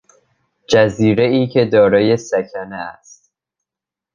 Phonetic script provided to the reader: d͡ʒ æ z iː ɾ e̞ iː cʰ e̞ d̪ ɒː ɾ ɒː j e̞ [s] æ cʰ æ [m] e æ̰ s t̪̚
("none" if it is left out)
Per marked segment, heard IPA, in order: s, n

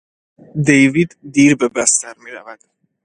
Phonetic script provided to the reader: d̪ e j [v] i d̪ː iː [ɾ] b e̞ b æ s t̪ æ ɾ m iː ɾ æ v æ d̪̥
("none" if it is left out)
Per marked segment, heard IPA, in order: v, ɾ

